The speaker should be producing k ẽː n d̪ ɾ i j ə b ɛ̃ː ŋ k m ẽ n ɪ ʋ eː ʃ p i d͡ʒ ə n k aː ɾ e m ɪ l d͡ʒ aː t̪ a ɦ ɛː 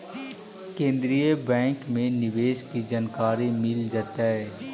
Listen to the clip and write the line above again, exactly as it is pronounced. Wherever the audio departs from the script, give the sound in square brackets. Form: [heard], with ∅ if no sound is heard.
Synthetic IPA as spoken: k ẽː n d̪ ɾ i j ə b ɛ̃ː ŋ k m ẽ n ɪ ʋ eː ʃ [k] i d͡ʒ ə n k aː ɾ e m ɪ l d͡ʒ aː t̪ a ɦ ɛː